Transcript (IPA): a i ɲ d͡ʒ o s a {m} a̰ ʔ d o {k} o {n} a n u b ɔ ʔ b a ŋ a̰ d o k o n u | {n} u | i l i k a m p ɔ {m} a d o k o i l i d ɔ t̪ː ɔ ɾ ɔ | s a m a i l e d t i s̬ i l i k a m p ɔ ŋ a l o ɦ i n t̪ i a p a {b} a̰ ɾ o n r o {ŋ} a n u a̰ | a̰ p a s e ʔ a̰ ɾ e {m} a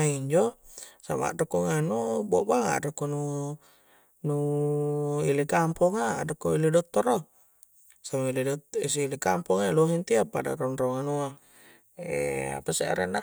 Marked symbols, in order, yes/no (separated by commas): yes, yes, no, yes, no, no, yes, no